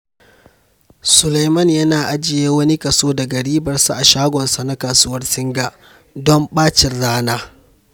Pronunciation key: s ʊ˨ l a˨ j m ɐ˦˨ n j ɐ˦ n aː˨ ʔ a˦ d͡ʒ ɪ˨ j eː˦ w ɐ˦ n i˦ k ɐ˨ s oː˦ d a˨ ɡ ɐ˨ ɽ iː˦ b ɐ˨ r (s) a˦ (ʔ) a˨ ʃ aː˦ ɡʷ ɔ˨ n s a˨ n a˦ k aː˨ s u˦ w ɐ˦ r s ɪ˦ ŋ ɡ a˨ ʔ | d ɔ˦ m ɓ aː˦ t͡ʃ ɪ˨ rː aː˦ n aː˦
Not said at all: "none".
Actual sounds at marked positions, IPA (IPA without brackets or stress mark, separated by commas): s, ʔ